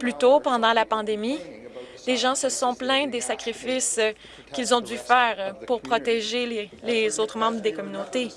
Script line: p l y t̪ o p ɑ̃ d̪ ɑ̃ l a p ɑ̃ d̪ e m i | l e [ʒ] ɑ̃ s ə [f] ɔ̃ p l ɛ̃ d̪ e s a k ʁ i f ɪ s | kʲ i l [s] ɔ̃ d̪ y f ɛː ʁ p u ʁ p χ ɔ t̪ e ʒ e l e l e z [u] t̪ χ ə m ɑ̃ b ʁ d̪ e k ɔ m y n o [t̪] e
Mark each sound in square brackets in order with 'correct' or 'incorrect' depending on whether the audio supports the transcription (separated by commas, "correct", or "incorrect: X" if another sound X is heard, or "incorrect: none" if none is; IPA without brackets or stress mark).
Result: correct, incorrect: s, incorrect: z, incorrect: o, correct